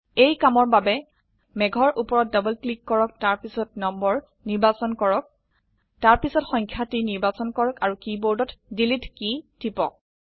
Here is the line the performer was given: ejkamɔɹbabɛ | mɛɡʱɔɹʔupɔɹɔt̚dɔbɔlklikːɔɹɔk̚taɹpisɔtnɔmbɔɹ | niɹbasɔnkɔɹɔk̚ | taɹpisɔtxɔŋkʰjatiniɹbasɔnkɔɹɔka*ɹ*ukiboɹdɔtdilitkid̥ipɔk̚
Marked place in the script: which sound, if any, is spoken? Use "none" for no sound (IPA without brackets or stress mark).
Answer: ɹ